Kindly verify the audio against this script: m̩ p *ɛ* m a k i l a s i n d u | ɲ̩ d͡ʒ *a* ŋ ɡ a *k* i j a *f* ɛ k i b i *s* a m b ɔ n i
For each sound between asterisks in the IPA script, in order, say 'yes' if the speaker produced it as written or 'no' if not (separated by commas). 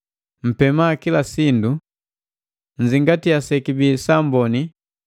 yes, no, no, no, yes